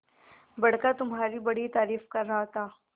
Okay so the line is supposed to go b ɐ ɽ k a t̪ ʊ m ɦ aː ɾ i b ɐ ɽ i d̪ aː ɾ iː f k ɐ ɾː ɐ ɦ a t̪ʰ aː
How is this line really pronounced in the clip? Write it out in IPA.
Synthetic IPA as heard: b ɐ ɽ k a t̪ ʊ m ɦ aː ɾ i b ɐ ɽ i t̪ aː ɾ iː f k ɐ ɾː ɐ ɦ a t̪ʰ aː